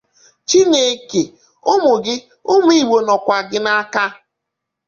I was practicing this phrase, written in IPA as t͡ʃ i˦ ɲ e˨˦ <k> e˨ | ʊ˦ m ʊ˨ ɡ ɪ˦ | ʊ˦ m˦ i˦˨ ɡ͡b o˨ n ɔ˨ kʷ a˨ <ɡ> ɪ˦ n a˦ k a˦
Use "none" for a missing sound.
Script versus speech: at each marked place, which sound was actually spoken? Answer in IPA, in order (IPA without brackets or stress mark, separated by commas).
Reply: k, ɡ